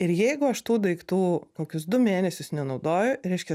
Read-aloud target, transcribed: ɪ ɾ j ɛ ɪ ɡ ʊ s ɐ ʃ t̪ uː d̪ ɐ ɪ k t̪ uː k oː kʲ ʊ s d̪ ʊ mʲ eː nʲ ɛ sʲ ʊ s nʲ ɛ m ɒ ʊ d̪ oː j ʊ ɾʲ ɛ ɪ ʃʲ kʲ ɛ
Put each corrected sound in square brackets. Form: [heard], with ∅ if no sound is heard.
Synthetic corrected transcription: ɪ ɾ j ɛ ɪ ɡ ʊ [∅] ɐ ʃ t̪ uː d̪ ɐ ɪ k t̪ uː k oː kʲ ʊ s d̪ ʊ mʲ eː nʲ ɛ sʲ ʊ s nʲ ɛ [n] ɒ ʊ d̪ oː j ʊ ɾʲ ɛ ɪ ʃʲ kʲ ɛ

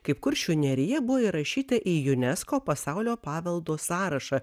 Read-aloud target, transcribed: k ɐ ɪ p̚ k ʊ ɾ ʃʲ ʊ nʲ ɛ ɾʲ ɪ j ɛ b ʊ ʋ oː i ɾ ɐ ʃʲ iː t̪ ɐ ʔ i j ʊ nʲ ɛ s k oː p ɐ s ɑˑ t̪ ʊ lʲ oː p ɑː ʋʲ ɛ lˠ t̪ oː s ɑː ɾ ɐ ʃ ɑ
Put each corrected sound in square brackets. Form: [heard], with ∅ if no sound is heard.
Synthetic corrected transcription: k ɐ ɪ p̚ k ʊ ɾ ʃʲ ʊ nʲ ɛ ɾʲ ɪ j ɛ b ʊ ʋ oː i ɾ ɐ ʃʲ iː t̪ ɐ ʔ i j ʊ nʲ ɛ s k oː p ɐ s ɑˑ [∅] ʊ lʲ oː p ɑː ʋʲ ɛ lˠ [d̪] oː s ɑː ɾ ɐ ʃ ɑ

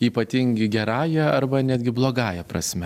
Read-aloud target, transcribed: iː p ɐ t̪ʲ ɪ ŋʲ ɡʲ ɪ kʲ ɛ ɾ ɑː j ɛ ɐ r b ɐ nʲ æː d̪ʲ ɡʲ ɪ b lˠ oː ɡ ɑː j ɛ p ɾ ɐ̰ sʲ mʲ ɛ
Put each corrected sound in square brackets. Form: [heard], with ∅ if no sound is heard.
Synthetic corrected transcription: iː p ɐ t̪ʲ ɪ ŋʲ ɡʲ ɪ [ɡʲ] ɛ ɾ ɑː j ɛ ɐ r b ɐ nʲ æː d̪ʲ ɡʲ ɪ b lˠ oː ɡ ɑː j ɛ p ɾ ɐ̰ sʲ mʲ ɛ

